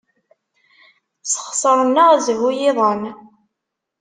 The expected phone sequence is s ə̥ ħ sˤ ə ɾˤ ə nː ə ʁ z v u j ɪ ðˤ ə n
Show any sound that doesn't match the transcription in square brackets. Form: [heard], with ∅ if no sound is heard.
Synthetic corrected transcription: s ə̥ [χ] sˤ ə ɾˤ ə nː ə ʁ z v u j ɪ ðˤ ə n